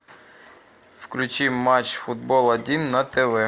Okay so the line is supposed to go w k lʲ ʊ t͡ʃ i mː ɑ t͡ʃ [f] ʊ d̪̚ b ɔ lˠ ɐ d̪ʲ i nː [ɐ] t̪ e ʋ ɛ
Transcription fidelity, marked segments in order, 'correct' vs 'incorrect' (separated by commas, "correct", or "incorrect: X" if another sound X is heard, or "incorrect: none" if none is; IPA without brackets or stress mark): correct, correct